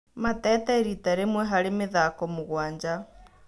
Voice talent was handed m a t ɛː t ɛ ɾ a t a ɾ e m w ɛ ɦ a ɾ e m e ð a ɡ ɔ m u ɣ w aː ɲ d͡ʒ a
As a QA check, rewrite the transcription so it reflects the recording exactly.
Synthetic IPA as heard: m a t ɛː t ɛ ɾ i t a ɾ e m w ɛ ɦ a ɾ e m e ð a k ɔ m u ɣ w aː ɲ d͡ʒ a